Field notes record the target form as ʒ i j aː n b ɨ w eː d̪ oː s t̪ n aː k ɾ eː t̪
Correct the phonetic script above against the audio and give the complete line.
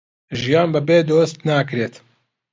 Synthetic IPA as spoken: ʒ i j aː n b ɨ b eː d̪ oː s t̪ n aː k ɾ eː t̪